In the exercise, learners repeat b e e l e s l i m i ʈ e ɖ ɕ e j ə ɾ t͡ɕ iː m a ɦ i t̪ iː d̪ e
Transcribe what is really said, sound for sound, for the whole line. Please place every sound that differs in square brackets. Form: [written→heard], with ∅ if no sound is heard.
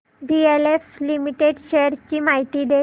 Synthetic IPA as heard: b [e→i] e l e [s→f] l i m i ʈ e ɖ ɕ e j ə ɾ t͡ɕ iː m a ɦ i t̪ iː d̪ e